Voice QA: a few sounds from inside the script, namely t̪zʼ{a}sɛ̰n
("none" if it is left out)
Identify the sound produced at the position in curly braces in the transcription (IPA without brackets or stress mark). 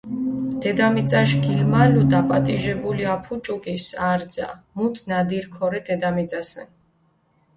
a